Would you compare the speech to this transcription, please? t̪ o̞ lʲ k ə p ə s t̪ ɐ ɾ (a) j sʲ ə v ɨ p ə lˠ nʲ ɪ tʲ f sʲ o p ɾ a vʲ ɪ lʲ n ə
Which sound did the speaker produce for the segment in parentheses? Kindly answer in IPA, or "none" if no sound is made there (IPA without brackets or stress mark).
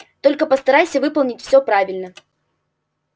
a